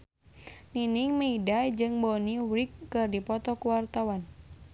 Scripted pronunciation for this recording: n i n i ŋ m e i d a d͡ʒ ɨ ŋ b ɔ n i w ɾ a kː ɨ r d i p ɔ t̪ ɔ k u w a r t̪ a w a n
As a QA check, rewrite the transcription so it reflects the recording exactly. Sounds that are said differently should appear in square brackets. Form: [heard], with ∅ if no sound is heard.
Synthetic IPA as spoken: n i n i ŋ m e i d a d͡ʒ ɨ ŋ b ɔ n i w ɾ [i] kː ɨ r d i p ɔ t̪ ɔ k u w a r t̪ a w a n